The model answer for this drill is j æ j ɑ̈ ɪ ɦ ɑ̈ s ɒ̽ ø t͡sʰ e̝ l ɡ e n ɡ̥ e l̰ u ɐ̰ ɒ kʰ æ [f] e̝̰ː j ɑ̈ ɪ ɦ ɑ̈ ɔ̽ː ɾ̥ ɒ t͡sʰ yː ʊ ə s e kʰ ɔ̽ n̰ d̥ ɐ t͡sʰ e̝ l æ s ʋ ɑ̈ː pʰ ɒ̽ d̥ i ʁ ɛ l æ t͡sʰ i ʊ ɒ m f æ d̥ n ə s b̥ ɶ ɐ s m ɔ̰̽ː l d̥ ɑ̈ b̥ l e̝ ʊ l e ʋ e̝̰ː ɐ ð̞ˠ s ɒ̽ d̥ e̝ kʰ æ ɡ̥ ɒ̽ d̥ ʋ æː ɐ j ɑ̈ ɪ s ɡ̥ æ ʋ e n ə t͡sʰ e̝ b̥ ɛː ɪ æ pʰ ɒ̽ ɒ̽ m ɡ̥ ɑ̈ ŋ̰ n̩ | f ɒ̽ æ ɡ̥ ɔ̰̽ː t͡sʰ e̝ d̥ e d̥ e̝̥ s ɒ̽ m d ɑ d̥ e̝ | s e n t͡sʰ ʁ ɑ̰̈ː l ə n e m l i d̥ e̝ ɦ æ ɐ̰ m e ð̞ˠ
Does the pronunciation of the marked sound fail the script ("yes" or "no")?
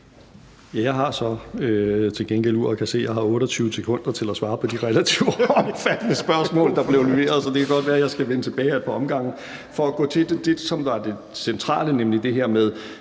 yes